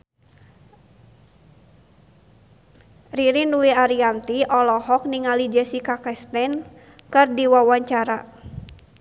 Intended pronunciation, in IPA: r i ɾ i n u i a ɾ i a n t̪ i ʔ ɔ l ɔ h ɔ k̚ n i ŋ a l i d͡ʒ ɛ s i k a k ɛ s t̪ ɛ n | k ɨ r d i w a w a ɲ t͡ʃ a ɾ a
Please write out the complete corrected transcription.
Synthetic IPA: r i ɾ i n u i a ɾ i a n t̪ i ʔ ɔ l ɔ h ɔ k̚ n i ŋ a l i d͡ʒ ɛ s i k a k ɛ s t̪ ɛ n | k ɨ r d i w a w a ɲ t͡ʃ a ɾ a